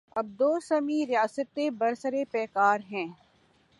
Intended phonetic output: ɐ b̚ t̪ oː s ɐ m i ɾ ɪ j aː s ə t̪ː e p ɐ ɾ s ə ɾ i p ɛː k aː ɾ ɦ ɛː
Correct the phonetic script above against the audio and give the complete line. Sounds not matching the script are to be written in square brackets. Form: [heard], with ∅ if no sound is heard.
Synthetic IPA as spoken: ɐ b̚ [d̪] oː s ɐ m i ɾ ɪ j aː s ə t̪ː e [b] ɐ ɾ s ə ɾ [e] p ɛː k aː ɾ ɦ [ɛ̃ː]